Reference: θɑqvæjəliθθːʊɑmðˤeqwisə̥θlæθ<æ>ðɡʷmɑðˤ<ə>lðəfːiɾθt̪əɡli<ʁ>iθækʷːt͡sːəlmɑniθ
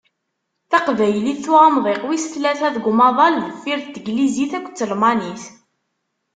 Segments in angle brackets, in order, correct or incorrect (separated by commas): correct, incorrect, incorrect